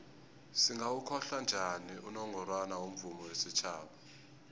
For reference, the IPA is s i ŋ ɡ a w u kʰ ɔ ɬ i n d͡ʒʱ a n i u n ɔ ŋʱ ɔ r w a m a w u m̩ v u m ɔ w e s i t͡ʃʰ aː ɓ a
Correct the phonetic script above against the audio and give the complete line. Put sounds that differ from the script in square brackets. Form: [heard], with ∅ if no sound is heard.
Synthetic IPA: s i ŋ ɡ a w u kʰ ɔ ɬ [a] n d͡ʒʱ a n i u n ɔ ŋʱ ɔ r w a [n] a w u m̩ v u m ɔ w e s i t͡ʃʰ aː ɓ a